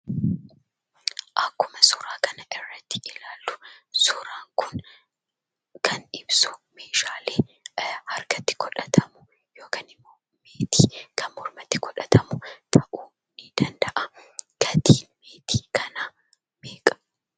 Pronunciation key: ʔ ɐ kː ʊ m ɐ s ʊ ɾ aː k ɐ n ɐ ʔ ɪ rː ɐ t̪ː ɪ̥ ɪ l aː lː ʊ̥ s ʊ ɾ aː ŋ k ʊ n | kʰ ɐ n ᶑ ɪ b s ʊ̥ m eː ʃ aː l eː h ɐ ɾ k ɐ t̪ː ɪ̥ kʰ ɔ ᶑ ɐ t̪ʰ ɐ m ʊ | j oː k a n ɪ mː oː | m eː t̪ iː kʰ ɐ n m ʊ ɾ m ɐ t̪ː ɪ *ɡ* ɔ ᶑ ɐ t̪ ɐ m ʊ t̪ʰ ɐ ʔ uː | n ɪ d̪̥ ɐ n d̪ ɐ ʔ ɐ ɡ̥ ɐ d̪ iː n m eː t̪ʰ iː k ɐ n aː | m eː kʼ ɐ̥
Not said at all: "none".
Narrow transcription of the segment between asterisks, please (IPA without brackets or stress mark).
k